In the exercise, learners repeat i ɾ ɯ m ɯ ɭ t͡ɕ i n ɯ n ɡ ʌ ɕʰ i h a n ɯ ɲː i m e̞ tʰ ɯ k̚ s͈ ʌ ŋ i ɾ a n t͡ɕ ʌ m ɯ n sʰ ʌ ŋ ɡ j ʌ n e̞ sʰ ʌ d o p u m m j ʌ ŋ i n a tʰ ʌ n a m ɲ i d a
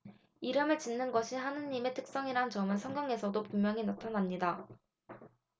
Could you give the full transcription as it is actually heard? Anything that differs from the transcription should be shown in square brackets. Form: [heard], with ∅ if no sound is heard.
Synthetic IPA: i ɾ ɯ m ɯ ɭ t͡ɕ i [nː] ɯ n ɡ ʌ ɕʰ i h a n ɯ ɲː i m e̞ tʰ ɯ k̚ s͈ ʌ ŋ i ɾ a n t͡ɕ ʌ m ɯ n sʰ ʌ ŋ ɡ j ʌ [ŋ] e̞ sʰ ʌ d o p u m m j ʌ ŋ i n a tʰ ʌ n a m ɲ i d a